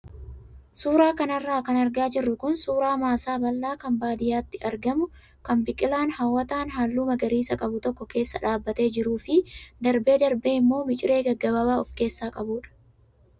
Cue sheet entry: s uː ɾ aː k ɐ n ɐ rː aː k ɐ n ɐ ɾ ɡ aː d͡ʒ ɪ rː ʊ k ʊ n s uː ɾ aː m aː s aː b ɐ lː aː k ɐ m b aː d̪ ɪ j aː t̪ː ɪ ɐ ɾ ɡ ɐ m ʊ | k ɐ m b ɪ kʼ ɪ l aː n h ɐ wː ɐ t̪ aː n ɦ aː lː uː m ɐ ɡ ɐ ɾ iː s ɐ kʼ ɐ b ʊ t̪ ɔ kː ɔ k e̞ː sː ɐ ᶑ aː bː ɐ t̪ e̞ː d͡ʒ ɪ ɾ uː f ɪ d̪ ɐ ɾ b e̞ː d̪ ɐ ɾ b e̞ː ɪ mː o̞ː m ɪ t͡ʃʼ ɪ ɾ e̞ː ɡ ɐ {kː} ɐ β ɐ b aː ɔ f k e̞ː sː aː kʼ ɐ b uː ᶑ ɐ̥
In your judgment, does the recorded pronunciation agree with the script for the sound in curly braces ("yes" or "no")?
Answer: no